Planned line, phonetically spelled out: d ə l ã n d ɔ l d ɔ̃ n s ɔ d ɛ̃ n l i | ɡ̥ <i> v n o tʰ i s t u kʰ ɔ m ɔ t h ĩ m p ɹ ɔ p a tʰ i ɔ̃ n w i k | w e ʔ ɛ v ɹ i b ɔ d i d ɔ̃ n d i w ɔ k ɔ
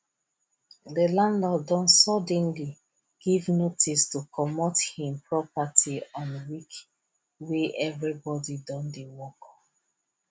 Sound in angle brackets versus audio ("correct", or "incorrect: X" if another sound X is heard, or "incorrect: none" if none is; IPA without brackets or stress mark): correct